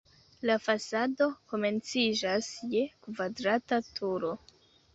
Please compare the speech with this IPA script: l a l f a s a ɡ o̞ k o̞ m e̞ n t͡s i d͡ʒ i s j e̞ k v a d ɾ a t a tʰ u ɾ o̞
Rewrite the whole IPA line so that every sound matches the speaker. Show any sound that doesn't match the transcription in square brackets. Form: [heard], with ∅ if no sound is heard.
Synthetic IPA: l a [∅] f a s a [d] o̞ k o̞ m e̞ n t͡s i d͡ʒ [a] s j e̞ k v a d ɾ a t a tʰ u ɾ o̞